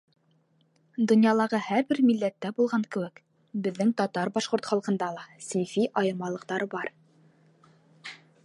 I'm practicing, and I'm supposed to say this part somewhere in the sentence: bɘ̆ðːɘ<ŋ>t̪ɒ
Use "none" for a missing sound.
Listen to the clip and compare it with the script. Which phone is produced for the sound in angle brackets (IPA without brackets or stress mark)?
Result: ŋ